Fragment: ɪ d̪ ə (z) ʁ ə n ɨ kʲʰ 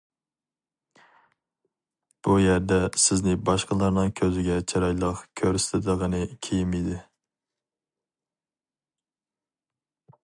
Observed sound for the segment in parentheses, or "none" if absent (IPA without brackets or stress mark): none